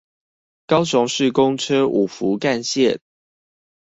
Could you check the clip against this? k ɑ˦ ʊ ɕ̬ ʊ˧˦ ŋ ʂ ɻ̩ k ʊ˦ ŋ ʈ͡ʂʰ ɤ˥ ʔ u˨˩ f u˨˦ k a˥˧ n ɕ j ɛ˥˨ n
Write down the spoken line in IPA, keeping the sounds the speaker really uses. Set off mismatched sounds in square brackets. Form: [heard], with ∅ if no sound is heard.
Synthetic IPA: k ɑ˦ ʊ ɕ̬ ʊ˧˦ ŋ ʂ ɻ̩ k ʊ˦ ŋ ʈ͡ʂʰ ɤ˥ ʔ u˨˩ f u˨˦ k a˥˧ n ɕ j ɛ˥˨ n

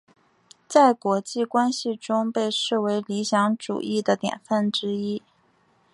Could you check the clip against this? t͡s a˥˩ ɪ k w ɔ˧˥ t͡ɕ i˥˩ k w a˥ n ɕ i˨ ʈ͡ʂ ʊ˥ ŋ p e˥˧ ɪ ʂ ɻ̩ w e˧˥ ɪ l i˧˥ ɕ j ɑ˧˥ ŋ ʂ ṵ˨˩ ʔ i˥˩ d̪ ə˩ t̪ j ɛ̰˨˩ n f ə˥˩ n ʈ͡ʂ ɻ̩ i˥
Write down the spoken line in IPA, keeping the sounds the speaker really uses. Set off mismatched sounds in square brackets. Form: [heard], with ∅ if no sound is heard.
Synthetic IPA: t͡s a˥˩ ɪ k w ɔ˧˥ t͡ɕ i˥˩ k w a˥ n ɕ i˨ ʈ͡ʂ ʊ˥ ŋ p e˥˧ ɪ ʂ ɻ̩ w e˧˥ ɪ l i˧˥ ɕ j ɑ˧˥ ŋ [ʈ͡ʂ] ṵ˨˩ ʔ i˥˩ d̪ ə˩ t̪ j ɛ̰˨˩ n f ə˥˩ n ʈ͡ʂ ɻ̩ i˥

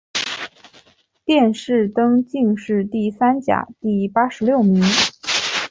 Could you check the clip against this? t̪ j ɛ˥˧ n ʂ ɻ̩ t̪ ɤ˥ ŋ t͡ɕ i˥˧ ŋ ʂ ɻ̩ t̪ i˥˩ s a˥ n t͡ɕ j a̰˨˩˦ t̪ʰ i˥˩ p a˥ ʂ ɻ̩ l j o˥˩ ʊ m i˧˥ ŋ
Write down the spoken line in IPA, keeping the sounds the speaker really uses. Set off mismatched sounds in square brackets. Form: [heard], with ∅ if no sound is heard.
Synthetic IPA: t̪ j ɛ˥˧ n ʂ ɻ̩ t̪ ɤ˥ ŋ t͡ɕ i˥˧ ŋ ʂ ɻ̩ t̪ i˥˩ s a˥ n t͡ɕ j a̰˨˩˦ [t̪] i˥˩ p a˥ ʂ ɻ̩ l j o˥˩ ʊ m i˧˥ ŋ

